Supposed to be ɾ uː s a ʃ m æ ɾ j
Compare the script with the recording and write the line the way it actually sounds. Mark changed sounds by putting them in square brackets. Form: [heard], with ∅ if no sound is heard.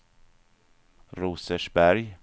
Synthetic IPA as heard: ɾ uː s [ə] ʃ [b] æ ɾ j